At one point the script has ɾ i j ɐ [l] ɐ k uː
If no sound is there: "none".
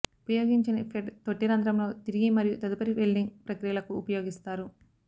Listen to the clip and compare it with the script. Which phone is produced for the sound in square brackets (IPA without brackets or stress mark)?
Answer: l